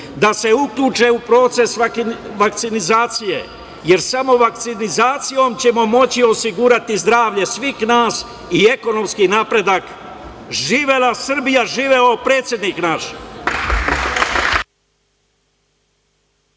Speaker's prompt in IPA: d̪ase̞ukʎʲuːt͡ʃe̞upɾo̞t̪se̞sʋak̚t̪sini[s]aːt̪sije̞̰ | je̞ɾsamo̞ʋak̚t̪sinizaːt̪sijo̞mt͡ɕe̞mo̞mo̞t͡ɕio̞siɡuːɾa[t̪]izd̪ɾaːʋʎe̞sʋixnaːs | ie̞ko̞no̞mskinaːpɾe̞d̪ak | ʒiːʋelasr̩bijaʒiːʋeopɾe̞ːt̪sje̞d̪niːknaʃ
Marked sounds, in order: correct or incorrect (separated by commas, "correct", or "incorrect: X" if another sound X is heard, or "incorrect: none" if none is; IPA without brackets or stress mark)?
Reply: incorrect: z, correct